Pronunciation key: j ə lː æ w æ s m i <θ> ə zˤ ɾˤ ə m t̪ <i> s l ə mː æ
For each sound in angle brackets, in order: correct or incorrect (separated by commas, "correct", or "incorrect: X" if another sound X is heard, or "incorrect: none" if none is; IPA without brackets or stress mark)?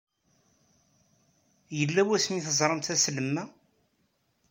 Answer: correct, incorrect: æ